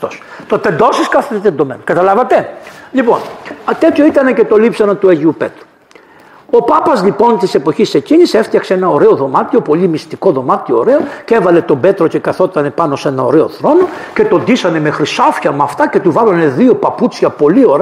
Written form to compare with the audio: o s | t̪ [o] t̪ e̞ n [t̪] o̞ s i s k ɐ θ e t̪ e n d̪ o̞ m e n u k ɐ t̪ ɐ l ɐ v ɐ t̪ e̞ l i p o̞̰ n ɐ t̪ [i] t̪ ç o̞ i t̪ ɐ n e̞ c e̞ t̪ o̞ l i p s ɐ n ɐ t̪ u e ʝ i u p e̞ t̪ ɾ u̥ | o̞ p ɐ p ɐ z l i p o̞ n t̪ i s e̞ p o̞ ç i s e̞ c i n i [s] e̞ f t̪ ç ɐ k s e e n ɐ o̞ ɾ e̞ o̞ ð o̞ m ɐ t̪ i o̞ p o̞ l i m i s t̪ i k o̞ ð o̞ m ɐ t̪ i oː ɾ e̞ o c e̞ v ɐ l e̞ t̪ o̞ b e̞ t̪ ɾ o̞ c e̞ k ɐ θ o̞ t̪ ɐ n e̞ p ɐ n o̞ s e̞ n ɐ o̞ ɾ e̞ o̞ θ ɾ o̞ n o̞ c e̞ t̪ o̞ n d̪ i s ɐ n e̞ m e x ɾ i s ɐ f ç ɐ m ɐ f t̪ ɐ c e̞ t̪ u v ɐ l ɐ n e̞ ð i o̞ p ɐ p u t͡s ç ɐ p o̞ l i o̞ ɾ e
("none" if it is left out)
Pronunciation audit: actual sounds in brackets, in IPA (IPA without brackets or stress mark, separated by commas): o, d̪, e, s